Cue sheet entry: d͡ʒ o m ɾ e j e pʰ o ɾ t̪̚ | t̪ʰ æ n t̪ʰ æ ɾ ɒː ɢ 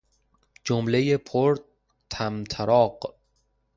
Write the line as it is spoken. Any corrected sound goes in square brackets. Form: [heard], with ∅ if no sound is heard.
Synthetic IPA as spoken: d͡ʒ o m [l] e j e pʰ o ɾ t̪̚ | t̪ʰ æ [m] t̪ʰ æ ɾ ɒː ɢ